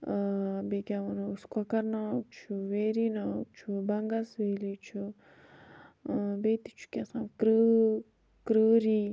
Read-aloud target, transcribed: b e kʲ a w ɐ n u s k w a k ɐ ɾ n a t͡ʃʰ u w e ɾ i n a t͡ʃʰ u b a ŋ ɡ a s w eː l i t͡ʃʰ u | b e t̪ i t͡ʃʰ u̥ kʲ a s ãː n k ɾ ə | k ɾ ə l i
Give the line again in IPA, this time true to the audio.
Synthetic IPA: b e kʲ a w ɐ n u s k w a k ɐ ɾ n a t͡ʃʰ u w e ɾ i n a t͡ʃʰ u b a ŋ ɡ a s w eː l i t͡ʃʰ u | b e t̪ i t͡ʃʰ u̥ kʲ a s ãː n k ɾ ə | k ɾ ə ɾ i